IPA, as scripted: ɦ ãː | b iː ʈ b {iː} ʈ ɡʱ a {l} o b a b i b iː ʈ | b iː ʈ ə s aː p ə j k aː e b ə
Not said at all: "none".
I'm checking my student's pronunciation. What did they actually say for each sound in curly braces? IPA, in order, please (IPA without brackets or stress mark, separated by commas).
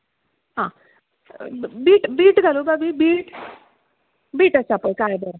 iː, l